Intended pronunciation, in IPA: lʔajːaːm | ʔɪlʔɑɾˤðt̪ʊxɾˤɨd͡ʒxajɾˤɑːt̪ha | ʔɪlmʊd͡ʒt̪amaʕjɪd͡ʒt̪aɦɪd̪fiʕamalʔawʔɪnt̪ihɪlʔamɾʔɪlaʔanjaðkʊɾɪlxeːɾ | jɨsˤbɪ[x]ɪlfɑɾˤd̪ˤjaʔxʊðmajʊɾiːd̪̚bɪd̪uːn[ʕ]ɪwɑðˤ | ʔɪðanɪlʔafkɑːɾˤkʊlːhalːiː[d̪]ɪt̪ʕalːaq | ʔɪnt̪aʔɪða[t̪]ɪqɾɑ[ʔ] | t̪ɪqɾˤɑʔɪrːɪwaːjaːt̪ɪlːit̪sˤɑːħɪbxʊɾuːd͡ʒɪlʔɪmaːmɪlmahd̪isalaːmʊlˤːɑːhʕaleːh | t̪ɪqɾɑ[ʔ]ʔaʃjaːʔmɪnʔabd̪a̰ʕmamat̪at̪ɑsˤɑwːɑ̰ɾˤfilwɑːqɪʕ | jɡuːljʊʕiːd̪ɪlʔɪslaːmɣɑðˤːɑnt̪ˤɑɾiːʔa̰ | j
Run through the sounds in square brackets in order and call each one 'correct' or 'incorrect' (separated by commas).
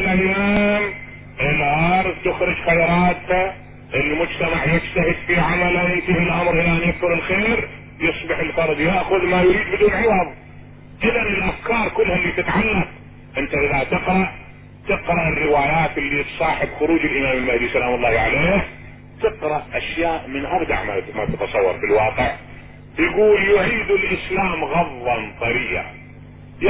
incorrect, correct, incorrect, correct, correct, correct